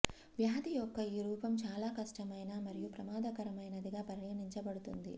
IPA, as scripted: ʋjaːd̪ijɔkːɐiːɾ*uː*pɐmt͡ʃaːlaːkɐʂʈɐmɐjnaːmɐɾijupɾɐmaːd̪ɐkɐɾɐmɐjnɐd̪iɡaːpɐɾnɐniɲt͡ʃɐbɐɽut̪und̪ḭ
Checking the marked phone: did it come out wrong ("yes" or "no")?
no